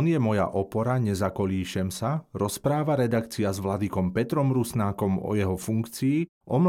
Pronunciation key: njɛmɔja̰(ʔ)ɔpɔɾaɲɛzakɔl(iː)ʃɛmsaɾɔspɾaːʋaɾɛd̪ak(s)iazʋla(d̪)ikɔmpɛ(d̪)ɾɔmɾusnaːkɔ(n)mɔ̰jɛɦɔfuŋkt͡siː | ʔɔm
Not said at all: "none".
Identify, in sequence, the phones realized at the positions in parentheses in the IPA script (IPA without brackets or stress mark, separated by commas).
ʔ, iː, t͡s, d̪, t̪, none